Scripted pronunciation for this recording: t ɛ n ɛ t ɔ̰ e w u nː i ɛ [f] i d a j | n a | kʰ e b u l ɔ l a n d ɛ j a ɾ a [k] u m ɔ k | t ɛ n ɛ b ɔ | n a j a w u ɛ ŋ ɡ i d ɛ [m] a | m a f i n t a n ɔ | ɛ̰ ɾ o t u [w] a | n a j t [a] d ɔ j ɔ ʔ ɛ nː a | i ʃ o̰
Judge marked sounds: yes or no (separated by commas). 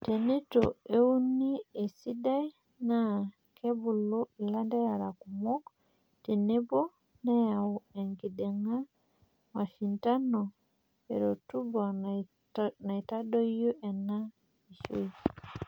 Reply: no, yes, no, no, yes